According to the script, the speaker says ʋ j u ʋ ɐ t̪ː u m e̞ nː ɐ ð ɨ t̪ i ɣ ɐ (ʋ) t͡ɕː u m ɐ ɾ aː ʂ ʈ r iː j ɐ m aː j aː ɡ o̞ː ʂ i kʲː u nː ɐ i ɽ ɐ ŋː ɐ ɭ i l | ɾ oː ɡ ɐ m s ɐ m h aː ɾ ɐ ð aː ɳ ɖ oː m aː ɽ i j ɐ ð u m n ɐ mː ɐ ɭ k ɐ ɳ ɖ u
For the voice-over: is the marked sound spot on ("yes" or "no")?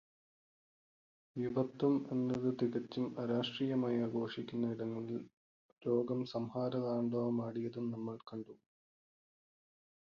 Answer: no